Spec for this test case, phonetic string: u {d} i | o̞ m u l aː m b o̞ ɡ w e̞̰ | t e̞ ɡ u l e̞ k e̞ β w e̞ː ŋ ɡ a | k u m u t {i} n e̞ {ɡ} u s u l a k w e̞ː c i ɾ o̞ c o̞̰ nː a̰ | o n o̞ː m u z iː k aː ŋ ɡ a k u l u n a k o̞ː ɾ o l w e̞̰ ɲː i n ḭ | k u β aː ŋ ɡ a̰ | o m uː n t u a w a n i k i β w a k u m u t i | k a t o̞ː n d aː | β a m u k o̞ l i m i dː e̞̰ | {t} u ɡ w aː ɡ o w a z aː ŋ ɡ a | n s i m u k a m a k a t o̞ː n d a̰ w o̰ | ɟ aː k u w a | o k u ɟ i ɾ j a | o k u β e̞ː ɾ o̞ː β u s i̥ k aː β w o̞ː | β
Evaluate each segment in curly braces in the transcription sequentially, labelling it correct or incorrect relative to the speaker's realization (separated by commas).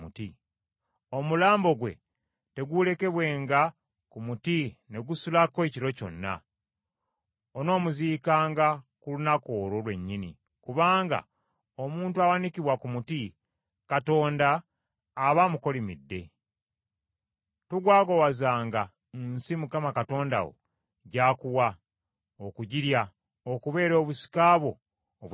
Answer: incorrect, correct, correct, correct